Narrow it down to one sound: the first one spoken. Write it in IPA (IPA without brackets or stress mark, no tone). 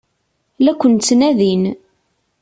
l